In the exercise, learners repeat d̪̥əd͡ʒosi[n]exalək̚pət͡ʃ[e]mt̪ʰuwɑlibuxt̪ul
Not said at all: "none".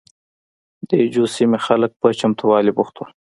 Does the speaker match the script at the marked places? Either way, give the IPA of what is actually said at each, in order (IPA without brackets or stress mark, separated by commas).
m, a